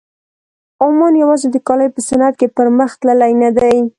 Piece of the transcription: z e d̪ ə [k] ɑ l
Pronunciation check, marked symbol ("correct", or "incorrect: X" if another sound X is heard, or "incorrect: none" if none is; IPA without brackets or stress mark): correct